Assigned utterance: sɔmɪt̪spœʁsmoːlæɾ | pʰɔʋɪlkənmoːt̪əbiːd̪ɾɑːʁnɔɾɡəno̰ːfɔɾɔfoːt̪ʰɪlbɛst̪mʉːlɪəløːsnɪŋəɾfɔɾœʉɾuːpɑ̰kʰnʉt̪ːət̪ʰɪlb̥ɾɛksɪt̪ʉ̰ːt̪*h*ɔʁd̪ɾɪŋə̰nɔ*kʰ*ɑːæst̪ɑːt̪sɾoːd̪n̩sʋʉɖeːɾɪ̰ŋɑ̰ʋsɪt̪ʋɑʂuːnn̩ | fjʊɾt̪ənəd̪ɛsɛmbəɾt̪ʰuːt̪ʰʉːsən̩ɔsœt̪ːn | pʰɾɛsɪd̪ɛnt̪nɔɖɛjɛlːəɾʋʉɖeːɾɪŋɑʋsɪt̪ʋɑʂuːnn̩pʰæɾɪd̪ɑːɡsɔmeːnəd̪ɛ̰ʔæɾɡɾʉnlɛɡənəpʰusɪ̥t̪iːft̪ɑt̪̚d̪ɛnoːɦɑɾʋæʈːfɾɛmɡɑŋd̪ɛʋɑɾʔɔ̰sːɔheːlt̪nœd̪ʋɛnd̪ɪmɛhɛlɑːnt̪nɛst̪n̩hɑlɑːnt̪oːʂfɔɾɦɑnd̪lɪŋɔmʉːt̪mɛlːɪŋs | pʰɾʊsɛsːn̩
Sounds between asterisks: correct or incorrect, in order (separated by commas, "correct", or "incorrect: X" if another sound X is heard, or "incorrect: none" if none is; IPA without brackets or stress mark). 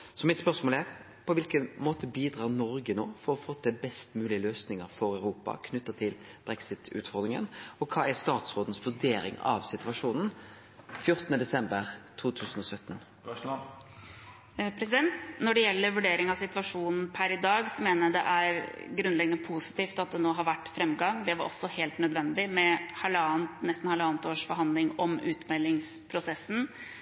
incorrect: f, correct